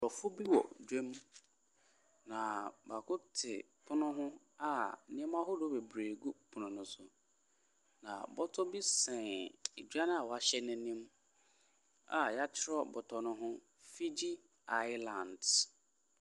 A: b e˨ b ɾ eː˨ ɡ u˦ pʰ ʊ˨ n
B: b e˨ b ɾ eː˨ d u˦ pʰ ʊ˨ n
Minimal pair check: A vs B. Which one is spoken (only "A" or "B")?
A